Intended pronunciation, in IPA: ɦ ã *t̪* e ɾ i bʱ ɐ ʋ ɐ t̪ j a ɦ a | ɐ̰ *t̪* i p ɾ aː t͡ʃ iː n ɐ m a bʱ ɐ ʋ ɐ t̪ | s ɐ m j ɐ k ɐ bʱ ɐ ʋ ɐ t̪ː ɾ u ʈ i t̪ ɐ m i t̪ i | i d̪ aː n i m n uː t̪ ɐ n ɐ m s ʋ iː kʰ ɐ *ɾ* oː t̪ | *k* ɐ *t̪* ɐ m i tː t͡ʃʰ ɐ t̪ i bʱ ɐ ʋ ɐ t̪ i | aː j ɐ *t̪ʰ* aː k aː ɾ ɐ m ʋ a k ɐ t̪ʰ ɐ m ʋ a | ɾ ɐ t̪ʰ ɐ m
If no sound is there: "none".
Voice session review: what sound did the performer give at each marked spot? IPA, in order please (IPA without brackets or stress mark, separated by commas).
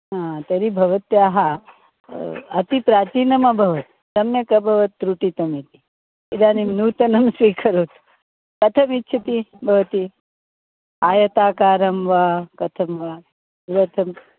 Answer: t̪, t̪, ɾ, k, t̪ʰ, t̪